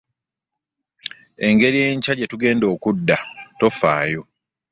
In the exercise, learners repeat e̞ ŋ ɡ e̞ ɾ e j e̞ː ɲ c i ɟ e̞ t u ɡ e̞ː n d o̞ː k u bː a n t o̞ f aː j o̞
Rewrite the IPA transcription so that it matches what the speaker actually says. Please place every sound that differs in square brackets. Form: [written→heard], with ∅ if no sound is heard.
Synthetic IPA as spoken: e̞ ŋ ɡ e̞ ɾ [e→i] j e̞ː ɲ c [i→a] ɟ e̞ t u ɡ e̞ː n d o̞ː k u [bː→dː] a [n→∅] t o̞ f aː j o̞